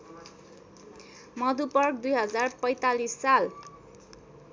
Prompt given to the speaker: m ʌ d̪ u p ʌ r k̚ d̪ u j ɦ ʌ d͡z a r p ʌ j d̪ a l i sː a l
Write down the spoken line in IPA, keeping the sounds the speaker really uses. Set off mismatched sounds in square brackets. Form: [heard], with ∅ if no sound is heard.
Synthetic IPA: m ʌ d̪ u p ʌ r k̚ d̪ u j ɦ ʌ d͡z a r p ʌ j [t̪] a l i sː a l